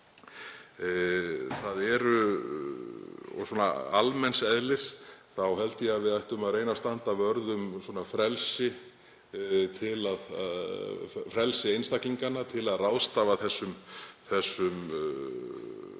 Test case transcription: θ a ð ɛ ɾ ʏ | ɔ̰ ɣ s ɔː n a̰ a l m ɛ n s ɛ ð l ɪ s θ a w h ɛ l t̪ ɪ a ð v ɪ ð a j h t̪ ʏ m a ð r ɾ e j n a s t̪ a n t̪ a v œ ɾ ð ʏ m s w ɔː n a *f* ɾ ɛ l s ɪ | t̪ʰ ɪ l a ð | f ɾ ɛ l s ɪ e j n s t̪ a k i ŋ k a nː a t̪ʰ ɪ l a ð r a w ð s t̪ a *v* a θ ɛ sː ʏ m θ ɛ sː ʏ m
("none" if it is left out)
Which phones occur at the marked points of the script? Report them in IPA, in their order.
f, v

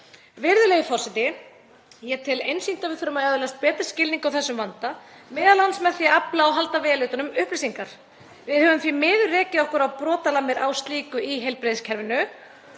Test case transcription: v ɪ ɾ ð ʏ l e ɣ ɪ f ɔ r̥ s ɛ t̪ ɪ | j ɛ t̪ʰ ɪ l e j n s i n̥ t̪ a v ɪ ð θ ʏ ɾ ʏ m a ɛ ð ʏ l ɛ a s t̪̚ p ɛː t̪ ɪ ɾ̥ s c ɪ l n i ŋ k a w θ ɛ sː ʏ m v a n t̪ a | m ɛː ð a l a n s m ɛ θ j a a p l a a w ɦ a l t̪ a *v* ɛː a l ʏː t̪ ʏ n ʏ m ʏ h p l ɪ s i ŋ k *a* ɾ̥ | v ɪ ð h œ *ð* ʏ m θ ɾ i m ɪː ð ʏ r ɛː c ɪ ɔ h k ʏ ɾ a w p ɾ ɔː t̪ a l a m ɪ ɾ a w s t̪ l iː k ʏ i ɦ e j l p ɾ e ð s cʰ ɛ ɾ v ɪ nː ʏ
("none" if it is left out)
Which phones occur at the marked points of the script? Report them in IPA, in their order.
v, a, v

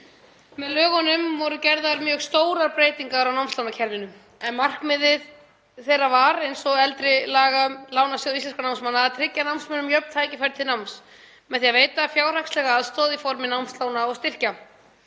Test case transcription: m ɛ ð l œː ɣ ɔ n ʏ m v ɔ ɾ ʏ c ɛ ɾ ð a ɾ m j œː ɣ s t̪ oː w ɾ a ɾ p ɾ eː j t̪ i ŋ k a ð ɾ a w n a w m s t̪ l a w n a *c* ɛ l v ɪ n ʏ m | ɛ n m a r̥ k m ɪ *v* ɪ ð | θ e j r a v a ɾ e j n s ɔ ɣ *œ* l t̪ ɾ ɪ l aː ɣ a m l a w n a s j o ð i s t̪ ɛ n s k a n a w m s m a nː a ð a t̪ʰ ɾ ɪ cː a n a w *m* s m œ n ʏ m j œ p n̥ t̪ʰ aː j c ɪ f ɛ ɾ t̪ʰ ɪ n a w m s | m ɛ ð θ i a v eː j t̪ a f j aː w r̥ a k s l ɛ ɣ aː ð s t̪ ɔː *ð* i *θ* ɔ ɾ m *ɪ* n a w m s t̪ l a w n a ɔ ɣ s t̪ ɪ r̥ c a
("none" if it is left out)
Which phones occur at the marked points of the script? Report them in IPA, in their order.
cʰ, ð, ɛ, m, ð, f, ɪ

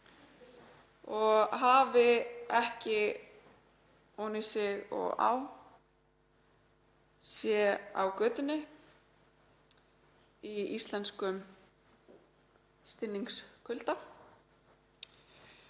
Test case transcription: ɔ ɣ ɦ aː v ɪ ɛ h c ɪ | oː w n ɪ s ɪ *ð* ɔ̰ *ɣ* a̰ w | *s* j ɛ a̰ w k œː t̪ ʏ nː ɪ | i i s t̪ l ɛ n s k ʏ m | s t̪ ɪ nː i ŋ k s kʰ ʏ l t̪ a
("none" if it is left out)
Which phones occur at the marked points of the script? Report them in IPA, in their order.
ɣ, ɣ, s

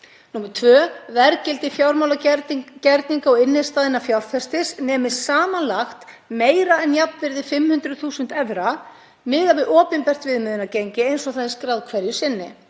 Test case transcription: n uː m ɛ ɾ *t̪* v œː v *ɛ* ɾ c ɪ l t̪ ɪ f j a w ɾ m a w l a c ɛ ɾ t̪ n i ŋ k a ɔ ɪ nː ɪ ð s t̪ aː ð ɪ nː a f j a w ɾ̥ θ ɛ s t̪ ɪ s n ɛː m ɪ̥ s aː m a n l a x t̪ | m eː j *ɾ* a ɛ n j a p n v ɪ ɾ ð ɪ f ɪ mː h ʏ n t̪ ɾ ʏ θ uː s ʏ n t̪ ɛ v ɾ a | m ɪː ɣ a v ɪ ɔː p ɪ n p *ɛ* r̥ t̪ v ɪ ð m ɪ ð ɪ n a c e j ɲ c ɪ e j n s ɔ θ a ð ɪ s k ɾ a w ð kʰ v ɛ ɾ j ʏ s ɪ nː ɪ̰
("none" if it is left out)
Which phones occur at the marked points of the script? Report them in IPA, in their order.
t̪ʰ, ɛ, ɾ, ɛ

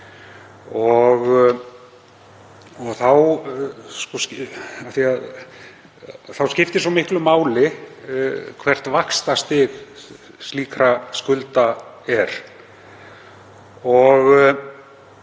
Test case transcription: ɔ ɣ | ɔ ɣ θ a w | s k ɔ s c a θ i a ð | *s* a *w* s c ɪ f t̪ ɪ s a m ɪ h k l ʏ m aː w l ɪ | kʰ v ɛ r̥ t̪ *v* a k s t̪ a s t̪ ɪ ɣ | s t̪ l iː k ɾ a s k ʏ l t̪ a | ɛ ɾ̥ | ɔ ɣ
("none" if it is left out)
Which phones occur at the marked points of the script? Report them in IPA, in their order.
θ, w, v

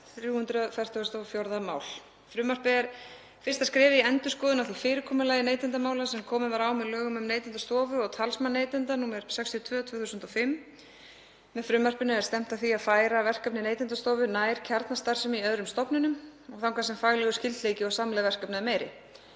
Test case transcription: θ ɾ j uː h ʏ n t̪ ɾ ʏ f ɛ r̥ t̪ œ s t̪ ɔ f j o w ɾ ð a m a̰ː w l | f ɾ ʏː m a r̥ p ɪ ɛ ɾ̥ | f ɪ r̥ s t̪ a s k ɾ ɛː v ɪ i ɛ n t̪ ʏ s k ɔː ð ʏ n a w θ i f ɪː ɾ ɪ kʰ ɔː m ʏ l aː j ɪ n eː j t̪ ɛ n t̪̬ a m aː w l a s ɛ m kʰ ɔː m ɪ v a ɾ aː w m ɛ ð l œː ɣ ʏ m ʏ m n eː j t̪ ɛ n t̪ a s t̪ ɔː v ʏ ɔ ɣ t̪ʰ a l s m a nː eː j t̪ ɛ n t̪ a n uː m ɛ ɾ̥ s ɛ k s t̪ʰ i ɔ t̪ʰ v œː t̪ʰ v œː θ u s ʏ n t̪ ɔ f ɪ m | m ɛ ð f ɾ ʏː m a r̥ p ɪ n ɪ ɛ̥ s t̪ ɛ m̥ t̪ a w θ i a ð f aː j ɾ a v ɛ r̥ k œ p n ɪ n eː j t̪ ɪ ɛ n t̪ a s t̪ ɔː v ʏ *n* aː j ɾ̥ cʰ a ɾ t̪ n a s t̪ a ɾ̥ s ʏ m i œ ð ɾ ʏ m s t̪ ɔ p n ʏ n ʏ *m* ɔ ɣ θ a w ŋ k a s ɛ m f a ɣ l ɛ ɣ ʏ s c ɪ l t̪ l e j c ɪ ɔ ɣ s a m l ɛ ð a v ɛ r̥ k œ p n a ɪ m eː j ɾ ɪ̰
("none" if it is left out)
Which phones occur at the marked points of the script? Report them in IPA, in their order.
n, m

